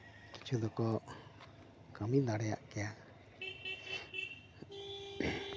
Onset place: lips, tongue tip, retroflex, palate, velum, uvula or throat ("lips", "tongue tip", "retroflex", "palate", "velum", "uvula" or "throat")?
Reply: velum